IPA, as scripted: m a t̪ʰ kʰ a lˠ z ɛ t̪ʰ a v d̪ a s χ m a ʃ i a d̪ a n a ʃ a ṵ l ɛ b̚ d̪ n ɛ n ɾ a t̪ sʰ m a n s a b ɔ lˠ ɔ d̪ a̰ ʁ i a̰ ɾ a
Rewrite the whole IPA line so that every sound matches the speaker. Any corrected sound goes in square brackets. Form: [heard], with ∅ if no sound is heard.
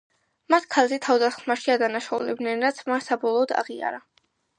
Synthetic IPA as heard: m a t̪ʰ kʰ a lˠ z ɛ t̪ʰ a v d̪ a s χ m a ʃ i a d̪ a n a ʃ a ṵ l ɛ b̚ d̪ n ɛ n ɾ a t̪ sʰ m a n s a b ɔ lˠ [ɔː] d̪ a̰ ʁ i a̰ ɾ a